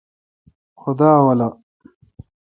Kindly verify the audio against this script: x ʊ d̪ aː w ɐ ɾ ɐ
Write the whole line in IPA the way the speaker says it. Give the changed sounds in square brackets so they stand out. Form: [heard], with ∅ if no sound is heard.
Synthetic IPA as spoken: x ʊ d̪ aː w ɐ [l] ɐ